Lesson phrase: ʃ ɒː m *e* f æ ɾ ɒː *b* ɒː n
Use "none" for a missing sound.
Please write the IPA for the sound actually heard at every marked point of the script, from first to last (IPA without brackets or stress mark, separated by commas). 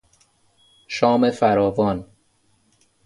e, v